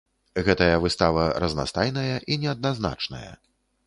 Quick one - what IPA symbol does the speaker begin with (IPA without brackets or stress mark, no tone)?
ɣ